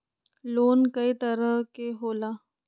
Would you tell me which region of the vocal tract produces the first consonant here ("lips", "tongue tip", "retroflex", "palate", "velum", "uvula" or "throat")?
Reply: tongue tip